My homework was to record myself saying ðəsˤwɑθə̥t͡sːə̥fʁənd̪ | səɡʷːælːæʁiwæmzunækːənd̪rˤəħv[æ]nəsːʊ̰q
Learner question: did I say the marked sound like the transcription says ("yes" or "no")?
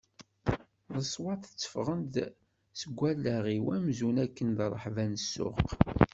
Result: yes